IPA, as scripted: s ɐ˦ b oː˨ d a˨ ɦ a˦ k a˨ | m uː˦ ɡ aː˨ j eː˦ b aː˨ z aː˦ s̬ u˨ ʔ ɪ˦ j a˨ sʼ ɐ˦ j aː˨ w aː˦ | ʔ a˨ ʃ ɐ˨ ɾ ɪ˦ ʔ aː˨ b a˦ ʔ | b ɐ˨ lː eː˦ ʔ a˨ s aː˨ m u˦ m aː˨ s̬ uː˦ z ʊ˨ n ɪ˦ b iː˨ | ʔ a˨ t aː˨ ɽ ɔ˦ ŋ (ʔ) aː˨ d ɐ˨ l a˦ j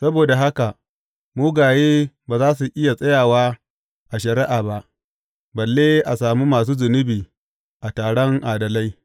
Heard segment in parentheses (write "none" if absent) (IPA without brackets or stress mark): ʔ